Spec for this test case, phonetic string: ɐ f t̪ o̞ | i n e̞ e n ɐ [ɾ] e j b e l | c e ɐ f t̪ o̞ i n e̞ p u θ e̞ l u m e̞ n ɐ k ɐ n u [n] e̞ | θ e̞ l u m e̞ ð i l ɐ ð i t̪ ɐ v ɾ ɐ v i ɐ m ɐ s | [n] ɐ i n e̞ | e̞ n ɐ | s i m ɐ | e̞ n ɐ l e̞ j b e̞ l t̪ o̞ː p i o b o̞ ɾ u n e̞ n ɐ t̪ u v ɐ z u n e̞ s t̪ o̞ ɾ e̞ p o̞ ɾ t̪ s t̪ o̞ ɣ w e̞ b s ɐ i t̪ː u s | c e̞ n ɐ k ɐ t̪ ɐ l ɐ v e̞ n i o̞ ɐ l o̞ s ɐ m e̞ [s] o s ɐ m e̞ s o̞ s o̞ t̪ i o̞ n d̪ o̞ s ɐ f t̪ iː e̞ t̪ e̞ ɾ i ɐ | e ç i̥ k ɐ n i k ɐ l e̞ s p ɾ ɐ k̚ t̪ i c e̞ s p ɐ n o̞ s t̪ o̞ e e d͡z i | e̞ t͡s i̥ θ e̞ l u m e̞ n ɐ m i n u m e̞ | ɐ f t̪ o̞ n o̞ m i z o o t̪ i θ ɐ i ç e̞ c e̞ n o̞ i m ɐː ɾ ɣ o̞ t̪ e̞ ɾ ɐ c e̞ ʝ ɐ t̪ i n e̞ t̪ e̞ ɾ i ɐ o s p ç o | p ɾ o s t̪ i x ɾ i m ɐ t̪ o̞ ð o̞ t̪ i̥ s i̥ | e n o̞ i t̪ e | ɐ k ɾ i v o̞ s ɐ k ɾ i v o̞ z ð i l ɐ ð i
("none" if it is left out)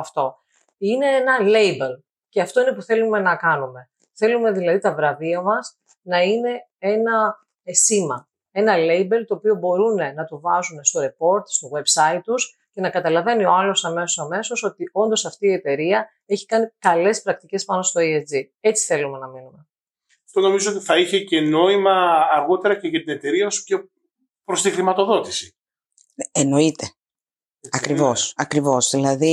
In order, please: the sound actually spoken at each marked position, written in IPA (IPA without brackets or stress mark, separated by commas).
l, m, n, s